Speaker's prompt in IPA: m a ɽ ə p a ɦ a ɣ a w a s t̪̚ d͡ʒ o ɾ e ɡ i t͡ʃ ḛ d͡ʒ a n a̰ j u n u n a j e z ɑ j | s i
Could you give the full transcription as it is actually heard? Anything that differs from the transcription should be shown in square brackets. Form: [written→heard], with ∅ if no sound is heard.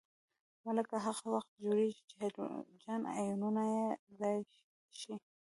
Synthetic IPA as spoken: m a [ɽ→l] ə [p→k] a ɦ a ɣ a w a [s→x] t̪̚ d͡ʒ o ɾ e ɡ i t͡ʃ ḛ d͡ʒ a n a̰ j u n u n a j e z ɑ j | [s→ʃ] i